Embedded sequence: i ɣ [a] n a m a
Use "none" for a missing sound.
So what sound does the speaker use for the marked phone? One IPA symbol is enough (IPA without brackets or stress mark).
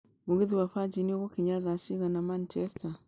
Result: a